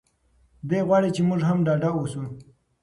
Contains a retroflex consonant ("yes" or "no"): yes